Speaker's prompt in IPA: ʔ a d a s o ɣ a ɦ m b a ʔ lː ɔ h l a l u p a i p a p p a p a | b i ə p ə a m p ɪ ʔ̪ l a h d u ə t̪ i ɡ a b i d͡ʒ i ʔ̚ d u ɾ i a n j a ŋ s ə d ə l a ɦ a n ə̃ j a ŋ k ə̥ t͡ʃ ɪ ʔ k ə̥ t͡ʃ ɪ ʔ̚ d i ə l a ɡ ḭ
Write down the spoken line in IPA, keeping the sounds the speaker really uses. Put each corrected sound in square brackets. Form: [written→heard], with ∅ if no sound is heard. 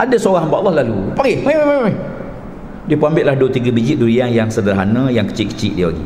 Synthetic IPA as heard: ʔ a d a s o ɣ a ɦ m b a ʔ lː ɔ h l a l u p a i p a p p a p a | [b→d] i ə p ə a m [p→b] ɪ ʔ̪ l a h d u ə t̪ i ɡ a b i d͡ʒ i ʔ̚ d u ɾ i a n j a ŋ s ə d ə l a ɦ a n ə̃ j a ŋ k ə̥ t͡ʃ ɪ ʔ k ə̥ t͡ʃ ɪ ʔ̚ d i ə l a ɡ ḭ